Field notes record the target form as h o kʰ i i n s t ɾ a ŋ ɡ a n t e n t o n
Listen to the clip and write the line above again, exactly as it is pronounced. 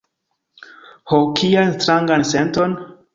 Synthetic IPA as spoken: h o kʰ i a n s t ɾ a ŋ ɡ a n s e n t o n